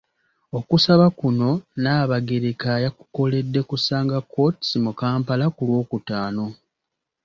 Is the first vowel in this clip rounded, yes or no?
yes